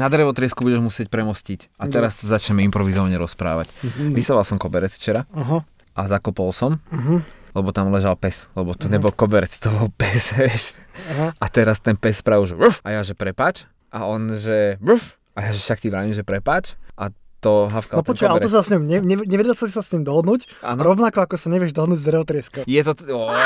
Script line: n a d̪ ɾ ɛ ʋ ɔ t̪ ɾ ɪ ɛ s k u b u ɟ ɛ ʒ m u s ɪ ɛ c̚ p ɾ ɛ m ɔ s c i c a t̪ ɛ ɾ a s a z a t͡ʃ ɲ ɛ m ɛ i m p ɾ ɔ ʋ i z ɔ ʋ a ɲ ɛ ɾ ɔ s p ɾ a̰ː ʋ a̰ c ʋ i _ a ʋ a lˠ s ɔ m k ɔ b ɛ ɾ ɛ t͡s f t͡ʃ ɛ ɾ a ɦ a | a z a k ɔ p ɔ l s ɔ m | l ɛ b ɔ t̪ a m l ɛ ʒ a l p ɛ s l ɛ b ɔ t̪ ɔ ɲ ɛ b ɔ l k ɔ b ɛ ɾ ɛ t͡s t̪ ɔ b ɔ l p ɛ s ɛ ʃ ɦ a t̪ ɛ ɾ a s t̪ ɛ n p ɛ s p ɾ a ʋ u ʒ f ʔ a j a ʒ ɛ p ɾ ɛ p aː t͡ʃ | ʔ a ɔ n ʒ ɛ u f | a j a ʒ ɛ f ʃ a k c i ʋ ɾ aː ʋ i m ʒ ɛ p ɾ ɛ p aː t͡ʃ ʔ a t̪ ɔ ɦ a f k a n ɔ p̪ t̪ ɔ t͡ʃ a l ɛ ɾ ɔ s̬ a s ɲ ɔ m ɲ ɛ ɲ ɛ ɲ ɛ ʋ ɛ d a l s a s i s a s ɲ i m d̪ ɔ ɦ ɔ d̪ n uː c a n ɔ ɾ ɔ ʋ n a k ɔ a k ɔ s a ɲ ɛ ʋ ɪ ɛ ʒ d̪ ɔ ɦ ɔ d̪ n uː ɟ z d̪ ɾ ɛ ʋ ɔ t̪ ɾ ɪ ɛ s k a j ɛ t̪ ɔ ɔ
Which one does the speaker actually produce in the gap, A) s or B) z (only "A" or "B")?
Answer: A